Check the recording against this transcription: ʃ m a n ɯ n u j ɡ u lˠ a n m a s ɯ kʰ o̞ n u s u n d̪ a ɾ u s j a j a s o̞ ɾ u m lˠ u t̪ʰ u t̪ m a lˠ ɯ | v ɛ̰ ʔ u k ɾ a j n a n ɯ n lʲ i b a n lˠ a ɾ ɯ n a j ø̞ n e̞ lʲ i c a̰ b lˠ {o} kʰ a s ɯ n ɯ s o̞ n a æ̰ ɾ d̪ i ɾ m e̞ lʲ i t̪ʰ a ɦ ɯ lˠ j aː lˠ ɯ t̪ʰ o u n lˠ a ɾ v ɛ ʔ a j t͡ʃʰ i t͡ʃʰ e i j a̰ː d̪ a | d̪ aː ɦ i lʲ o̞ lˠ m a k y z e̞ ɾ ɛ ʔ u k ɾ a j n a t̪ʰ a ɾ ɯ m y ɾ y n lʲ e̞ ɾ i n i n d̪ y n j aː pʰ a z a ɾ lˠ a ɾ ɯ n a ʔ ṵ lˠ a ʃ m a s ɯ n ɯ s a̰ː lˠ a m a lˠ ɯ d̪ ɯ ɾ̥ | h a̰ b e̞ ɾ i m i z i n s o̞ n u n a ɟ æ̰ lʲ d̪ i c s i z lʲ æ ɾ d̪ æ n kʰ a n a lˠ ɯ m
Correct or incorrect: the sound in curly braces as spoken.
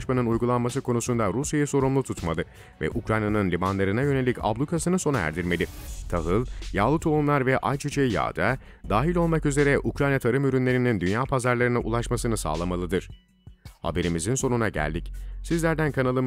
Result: incorrect: u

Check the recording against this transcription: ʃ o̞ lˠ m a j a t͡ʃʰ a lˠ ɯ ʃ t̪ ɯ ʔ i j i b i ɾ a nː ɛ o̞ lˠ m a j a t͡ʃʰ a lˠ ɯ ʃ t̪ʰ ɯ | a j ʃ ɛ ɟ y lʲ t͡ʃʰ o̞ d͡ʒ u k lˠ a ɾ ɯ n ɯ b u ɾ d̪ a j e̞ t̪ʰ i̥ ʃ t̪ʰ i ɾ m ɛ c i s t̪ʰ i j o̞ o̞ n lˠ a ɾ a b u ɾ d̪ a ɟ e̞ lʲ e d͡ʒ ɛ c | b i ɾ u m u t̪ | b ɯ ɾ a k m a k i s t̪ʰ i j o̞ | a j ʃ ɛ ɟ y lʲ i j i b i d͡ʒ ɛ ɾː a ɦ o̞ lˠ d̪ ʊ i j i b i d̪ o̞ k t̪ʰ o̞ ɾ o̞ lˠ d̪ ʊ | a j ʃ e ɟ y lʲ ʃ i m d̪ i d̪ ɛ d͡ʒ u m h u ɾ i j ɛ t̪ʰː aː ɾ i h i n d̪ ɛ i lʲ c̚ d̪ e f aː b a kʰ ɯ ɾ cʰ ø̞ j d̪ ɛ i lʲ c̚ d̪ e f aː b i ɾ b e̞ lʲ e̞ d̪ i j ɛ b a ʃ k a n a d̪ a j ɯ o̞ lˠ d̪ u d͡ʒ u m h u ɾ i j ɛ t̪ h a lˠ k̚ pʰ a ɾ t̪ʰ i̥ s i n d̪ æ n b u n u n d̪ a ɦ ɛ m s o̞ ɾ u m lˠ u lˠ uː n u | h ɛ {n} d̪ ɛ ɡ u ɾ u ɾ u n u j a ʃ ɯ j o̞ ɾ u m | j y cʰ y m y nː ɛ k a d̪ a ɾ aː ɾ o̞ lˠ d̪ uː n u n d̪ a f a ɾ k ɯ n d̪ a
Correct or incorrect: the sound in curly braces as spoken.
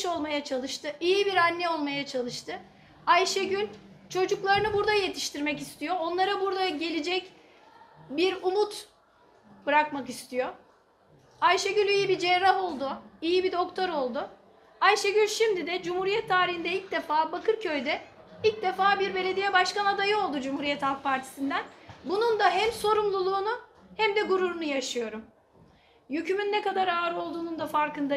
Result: incorrect: m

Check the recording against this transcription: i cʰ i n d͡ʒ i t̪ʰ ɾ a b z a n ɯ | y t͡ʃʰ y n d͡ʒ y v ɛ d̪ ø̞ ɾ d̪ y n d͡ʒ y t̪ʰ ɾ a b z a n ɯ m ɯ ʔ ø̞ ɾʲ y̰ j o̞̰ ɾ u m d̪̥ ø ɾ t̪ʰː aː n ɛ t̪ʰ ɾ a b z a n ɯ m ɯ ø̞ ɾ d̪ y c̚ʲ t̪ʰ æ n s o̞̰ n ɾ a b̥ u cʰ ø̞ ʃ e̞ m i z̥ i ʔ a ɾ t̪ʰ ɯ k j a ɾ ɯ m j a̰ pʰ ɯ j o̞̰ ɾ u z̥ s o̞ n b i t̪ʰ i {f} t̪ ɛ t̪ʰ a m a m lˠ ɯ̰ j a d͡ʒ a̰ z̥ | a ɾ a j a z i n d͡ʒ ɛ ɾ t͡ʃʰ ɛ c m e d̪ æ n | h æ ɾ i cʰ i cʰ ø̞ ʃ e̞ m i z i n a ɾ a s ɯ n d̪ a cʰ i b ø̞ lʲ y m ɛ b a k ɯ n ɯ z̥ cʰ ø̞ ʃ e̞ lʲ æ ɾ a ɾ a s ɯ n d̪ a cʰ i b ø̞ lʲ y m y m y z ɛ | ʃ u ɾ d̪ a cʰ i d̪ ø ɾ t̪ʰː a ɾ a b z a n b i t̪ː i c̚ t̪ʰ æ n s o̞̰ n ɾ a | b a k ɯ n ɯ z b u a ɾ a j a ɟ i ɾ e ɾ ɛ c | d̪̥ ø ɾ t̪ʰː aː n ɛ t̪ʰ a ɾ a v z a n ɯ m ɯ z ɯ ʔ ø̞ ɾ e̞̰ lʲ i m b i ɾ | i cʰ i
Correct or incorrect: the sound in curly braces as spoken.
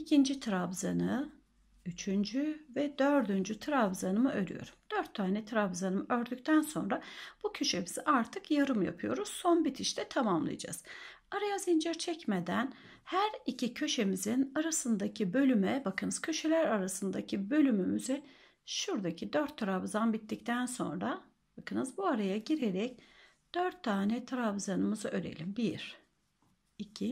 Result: incorrect: ʃ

